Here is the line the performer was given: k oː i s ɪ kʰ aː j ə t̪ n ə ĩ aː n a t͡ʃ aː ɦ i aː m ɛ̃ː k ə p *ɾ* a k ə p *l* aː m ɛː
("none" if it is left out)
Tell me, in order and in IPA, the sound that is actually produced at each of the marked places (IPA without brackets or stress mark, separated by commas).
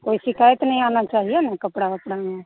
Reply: ɽ, ɽ